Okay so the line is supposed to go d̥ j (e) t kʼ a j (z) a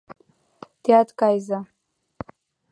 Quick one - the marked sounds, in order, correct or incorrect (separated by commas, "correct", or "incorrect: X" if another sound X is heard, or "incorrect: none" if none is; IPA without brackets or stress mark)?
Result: incorrect: a, correct